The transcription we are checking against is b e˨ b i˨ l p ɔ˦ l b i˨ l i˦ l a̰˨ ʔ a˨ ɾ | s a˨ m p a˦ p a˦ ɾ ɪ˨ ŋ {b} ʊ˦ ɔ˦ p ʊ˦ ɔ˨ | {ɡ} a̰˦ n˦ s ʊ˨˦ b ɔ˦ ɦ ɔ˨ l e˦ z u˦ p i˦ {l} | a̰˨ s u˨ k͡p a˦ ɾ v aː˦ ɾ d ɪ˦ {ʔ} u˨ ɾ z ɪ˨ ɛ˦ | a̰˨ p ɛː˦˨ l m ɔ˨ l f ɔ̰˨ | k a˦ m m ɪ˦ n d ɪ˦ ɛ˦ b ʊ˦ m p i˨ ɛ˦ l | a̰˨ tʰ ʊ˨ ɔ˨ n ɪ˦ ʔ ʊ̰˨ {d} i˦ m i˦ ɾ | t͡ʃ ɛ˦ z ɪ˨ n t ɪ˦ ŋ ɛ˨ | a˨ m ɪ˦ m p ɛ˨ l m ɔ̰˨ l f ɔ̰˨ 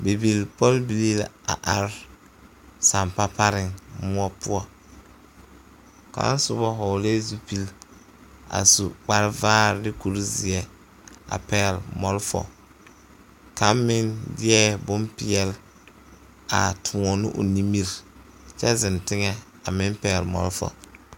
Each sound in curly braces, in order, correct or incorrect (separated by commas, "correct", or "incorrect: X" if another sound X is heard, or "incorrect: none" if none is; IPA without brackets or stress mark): incorrect: m, incorrect: k, correct, incorrect: k, incorrect: n